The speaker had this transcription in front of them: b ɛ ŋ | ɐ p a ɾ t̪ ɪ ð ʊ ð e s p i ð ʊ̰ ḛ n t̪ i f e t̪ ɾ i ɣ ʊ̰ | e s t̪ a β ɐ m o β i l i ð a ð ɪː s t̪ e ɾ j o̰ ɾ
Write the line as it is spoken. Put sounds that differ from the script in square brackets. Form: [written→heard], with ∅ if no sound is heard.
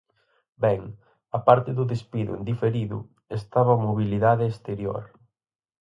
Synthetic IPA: b ɛ ŋ | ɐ p a ɾ t̪ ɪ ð ʊ ð e s p i ð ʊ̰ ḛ n [t̪→d̪] i f e [t̪→∅] ɾ i [ɣ→ð] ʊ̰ | e s t̪ a β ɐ m o β i l i ð a ð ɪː s t̪ e ɾ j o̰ ɾ